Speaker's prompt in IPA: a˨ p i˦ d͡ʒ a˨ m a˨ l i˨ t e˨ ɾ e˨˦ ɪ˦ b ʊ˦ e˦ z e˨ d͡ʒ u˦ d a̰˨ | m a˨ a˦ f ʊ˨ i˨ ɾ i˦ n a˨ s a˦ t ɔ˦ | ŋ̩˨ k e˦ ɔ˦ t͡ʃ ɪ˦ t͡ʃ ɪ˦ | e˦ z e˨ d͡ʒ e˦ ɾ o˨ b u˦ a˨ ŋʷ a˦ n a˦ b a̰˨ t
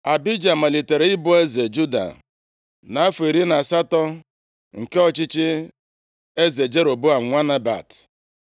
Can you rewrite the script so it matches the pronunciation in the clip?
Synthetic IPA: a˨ b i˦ d͡ʒ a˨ m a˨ l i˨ t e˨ ɾ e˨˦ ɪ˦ b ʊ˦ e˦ z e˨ d͡ʒ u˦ d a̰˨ | n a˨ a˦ f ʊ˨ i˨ ɾ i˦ n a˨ s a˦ t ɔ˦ | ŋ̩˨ k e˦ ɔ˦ t͡ʃ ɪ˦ t͡ʃ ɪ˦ | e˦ z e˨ d͡ʒ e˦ ɾ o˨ b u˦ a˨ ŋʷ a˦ n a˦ b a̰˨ t